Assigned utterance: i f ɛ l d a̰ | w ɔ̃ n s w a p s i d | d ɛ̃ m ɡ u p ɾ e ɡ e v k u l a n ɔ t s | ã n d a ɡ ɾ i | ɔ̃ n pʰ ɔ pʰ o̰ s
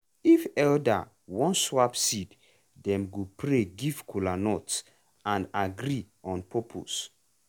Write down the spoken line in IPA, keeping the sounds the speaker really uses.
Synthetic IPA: i f ɛ l d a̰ | w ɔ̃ n s w a p s i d | d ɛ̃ m ɡ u p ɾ e ɡ i v k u l a n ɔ t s | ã n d a ɡ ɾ i | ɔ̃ n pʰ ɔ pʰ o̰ s